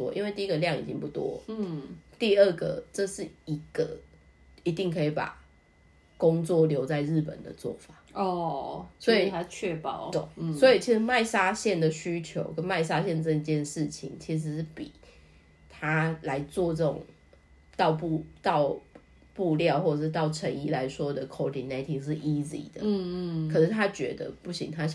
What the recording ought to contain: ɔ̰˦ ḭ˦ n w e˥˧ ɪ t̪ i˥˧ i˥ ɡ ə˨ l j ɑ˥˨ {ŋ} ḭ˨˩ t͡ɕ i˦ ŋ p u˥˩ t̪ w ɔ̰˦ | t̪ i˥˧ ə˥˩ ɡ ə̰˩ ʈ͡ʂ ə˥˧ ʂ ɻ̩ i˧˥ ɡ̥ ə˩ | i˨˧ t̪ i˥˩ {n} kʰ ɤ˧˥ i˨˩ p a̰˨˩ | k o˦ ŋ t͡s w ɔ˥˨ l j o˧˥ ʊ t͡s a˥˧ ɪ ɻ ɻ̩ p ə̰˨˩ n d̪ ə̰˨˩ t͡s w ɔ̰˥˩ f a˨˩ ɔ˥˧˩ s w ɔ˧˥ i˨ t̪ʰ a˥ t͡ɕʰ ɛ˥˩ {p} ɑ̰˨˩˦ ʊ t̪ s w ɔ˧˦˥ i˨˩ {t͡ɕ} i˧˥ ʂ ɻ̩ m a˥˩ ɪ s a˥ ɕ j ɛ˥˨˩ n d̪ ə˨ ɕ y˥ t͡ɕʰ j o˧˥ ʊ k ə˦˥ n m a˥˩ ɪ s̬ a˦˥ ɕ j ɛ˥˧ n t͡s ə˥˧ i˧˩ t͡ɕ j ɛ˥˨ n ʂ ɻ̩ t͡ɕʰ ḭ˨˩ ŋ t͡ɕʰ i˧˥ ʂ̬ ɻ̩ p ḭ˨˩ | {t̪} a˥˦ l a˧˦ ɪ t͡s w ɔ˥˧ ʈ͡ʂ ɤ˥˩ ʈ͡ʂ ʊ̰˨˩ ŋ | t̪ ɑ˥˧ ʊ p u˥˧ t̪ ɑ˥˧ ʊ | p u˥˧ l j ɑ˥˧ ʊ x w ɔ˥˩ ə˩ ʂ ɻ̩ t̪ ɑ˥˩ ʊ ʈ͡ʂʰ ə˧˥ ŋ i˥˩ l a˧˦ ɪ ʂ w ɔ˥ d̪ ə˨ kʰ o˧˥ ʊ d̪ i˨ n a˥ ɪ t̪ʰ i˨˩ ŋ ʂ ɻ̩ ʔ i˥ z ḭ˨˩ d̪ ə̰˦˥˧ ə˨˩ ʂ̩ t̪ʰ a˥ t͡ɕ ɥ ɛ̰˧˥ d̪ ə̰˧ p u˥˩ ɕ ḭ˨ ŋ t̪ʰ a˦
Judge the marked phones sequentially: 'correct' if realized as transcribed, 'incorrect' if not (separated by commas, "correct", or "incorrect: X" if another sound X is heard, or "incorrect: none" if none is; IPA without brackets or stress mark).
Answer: correct, incorrect: ŋ, correct, incorrect: t͡ɕʰ, incorrect: t̪ʰ